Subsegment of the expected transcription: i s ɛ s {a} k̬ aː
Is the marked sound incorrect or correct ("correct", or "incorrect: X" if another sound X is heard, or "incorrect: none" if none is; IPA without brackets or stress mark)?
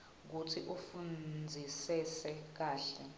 incorrect: ɛ